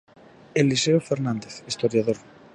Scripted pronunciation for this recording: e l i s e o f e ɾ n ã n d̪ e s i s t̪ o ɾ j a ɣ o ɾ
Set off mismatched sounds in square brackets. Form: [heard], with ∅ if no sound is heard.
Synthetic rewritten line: e l i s e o f e ɾ n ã n d̪ e [θ] i s t̪ o ɾ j a [ð] o ɾ